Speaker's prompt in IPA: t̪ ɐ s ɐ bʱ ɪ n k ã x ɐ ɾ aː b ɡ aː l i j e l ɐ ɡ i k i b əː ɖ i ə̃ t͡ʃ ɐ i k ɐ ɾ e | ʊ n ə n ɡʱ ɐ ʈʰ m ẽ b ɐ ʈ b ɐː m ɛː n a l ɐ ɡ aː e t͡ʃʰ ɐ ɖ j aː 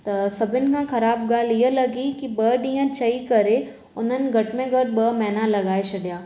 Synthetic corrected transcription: t̪ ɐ s ɐ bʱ ɪ n k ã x ɐ ɾ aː b ɡ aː l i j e l ɐ ɡ i k i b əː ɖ i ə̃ t͡ʃ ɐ i k ɐ ɾ e | ʊ n ə n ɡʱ ɐ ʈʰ m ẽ ɡ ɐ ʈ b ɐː m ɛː n a l ɐ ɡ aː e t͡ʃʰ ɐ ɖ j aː